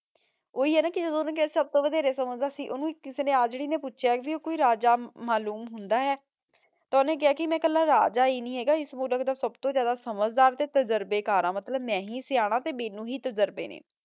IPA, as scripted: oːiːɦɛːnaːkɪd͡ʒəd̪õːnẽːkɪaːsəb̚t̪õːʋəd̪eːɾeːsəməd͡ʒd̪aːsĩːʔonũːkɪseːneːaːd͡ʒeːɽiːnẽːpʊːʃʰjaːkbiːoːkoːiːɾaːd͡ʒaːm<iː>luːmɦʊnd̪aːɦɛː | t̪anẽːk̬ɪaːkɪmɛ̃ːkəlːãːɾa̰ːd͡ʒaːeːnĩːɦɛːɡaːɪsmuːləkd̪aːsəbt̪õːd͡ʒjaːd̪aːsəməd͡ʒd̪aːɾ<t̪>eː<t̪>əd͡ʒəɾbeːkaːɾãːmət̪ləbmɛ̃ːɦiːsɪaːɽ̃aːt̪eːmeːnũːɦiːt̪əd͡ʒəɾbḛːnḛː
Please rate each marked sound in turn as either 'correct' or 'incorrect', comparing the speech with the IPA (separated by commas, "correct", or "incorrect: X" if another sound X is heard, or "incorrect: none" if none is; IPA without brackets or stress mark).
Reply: incorrect: aː, correct, correct